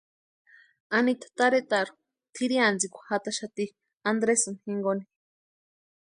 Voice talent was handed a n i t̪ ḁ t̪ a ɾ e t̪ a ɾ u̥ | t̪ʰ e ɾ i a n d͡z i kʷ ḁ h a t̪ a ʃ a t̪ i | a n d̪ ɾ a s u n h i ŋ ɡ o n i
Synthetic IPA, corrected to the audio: a n i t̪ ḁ t̪ a ɾ e t̪ a ɾ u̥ | t̪ʰ i ɾ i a n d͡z i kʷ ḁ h a t̪ a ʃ a t̪ i | a n d̪ ɾ e s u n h i ŋ ɡ o n i

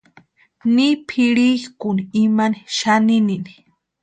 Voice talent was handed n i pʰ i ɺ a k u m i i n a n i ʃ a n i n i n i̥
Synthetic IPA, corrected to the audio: n i pʰ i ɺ i k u n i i m a n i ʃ a n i n i n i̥

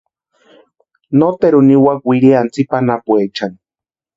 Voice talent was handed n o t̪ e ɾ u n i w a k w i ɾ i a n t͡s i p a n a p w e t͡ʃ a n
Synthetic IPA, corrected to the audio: n o t̪ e ɾ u n i w a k w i ɾ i a n t͡s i p a n a p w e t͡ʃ a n

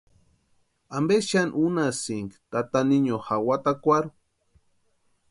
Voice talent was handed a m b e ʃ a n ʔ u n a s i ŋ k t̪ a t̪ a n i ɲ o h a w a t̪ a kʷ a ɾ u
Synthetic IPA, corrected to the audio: a m b e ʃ a n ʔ u n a s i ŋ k t̪ a t̪ a n i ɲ o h a w a t̪ a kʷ a ɾ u

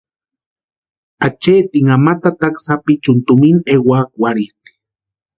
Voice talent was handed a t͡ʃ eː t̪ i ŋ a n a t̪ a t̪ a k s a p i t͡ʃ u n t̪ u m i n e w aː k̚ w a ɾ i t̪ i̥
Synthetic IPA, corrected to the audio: a t͡ʃ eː t̪ i ŋ a m a t̪ a t̪ a k s a p i t͡ʃ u n t̪ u m i n e w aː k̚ w a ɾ i t̪ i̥

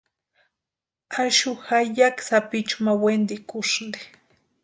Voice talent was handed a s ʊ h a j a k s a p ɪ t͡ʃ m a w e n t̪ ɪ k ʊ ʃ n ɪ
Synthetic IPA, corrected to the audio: a ʃ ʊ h a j a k s a p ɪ t͡ʃ m a w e n d̪ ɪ k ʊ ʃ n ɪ

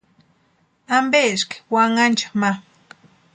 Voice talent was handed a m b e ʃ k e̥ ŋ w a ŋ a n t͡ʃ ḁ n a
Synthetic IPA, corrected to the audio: a m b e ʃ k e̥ w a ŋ a n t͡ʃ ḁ m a

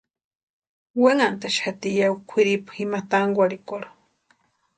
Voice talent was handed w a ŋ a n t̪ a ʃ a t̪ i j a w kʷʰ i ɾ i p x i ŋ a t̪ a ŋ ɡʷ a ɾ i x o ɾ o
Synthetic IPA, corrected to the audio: w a ŋ a n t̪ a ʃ a t̪ i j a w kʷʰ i ɾ i p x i m a t̪ a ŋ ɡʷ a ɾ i k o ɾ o

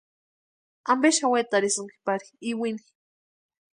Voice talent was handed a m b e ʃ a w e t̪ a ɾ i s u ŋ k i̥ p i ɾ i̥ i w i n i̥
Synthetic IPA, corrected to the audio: a m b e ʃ a w e t̪ a ɾ i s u ŋ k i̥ p a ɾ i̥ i w i n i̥

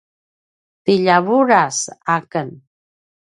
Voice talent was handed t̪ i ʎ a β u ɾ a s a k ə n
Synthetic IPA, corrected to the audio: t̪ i ʎ a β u ɾ a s a k ə n

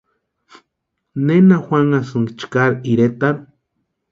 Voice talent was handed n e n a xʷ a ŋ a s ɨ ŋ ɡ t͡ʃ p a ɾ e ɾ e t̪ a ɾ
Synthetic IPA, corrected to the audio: n e n a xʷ a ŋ a s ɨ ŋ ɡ t͡ʃ k a ɾ i ɾ e t̪ a ɾ

